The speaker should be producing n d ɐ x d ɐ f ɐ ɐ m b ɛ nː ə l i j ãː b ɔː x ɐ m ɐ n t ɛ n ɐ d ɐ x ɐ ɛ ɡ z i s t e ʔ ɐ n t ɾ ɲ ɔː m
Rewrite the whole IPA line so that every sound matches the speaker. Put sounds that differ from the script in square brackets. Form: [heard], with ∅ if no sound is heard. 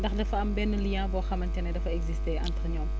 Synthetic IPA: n d ɐ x d ɐ f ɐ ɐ m b ɛ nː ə l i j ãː b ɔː x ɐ m ɐ n t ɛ n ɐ d ɐ [f] ɐ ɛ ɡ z i s t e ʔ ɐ n t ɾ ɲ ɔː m